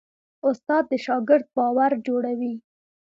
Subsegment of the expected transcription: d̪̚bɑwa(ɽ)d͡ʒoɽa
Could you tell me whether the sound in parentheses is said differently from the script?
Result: yes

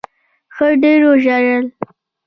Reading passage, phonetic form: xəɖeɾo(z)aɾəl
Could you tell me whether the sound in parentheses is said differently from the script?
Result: yes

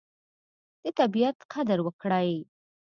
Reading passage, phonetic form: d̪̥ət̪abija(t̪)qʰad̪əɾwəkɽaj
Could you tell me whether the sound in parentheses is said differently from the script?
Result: no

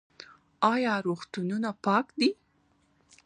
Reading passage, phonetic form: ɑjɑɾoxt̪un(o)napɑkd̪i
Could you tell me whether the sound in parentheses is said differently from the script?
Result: yes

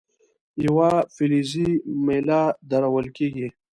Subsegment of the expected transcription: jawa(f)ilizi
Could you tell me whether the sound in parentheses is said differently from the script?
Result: no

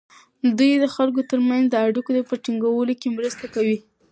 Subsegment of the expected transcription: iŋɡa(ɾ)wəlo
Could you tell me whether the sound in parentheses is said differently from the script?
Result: yes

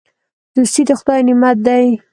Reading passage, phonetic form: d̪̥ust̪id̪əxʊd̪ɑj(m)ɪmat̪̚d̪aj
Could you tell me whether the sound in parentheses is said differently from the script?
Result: yes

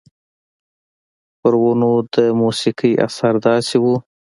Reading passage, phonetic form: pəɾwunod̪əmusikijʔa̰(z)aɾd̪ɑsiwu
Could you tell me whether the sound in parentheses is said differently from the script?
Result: yes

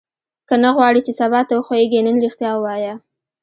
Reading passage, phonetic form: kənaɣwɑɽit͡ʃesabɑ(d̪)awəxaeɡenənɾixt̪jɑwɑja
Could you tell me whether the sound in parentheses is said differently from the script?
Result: yes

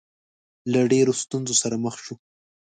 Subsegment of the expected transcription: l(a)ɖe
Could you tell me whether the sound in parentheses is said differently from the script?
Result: no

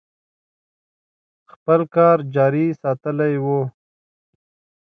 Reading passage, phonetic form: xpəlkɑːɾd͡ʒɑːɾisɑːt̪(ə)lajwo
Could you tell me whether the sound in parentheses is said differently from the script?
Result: no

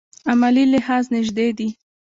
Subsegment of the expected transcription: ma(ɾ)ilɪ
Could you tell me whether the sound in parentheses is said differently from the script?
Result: yes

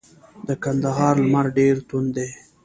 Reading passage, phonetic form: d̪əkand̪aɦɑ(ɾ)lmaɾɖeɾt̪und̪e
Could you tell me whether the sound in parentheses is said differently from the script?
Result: no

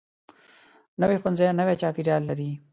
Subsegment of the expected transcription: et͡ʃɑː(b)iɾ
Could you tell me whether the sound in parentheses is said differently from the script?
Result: yes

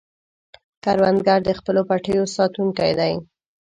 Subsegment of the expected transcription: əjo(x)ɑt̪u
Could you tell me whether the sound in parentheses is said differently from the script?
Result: yes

